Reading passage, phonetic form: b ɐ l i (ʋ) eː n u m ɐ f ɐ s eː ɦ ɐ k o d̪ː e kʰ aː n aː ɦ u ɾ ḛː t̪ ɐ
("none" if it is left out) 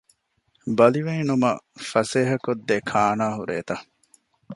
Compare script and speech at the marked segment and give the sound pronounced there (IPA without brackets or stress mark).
ʋ